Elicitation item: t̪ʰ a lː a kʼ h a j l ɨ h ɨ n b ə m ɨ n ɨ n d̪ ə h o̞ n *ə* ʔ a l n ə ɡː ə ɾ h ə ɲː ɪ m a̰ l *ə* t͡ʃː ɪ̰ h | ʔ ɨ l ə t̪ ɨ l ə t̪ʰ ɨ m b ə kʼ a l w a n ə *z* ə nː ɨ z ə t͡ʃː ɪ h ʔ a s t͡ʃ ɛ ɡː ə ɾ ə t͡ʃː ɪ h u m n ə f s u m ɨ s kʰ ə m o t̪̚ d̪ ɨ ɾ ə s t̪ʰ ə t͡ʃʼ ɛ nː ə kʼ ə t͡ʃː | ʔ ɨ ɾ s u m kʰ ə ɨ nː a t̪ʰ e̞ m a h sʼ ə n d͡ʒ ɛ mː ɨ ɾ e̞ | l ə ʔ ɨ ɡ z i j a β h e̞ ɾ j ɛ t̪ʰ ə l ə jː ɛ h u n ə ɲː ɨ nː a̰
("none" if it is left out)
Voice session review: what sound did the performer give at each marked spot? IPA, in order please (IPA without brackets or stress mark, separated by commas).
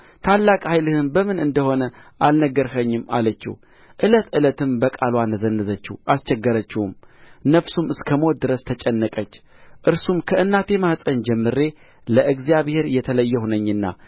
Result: ə, ə, z